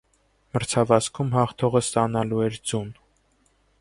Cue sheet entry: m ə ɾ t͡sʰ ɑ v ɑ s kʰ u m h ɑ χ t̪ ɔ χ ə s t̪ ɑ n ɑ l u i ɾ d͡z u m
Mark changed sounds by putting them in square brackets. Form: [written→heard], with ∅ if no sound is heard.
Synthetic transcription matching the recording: m ə ɾ t͡sʰ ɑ v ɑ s kʰ u m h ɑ χ [t̪→t̪ʰ] ɔ [χ→ʁ] ə s t̪ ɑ n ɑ l u [i→ɛ] ɾ d͡z u [m→n]